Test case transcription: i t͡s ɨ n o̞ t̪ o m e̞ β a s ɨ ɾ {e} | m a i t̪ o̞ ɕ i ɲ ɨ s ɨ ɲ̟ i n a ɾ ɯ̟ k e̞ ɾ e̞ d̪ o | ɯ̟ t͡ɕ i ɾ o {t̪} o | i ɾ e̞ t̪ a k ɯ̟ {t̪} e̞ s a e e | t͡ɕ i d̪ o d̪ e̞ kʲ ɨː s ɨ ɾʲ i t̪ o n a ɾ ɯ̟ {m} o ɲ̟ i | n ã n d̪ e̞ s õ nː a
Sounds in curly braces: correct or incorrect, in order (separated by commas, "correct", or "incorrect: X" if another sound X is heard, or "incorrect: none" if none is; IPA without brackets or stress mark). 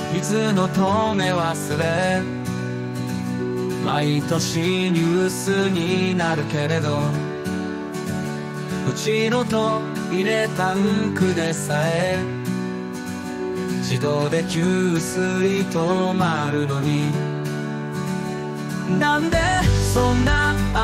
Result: correct, correct, incorrect: d̪, incorrect: n